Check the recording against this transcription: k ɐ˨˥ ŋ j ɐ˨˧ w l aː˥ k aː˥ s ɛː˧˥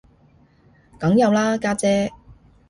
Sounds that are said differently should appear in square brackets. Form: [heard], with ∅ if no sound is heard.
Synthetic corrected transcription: k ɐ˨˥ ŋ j ɐ˨˧ w l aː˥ k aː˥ [t͡s] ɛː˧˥